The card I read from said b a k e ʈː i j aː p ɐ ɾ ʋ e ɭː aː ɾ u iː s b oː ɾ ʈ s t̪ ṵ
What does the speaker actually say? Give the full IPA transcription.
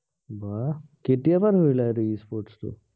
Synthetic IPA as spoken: b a k e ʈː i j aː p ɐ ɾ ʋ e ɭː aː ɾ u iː s p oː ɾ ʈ s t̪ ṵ